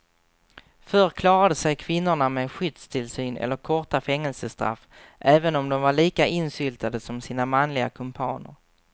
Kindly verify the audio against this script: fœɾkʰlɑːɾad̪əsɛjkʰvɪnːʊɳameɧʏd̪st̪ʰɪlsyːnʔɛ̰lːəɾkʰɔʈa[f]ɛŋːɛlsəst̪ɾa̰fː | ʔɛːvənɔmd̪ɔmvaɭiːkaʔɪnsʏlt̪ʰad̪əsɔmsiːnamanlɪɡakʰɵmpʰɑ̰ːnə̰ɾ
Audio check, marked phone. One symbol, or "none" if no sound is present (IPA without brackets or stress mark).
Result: f